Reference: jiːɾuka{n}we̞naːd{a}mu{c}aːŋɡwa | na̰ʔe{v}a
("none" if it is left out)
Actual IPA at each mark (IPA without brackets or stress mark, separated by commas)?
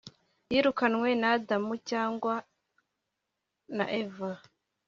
n, a, c, v